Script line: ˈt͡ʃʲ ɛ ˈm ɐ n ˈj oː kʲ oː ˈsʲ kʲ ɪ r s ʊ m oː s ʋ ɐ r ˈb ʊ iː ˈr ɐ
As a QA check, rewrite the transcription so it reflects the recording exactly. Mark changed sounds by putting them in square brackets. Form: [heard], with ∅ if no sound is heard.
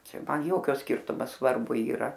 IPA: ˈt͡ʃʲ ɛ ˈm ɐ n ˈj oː kʲ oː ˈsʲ kʲ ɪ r [t] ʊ m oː s ʋ ɐ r ˈb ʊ iː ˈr ɐ